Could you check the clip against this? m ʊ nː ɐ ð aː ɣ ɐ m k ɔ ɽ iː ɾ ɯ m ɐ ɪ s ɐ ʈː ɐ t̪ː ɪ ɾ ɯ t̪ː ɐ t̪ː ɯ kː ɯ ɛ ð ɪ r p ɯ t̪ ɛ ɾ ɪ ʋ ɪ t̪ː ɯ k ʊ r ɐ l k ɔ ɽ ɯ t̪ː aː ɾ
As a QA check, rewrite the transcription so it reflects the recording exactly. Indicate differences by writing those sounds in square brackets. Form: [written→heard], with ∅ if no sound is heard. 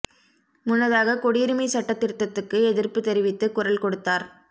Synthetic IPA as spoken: m ʊ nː ɐ ð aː ɣ ɐ [m→∅] k ɔ ɽ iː ɾ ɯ m ɐ ɪ s ɐ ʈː ɐ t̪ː ɪ ɾ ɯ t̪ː ɐ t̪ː ɯ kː ɯ ɛ ð ɪ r p ɯ t̪ ɛ ɾ ɪ ʋ ɪ t̪ː ɯ k ʊ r ɐ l k ɔ ɽ ɯ t̪ː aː ɾ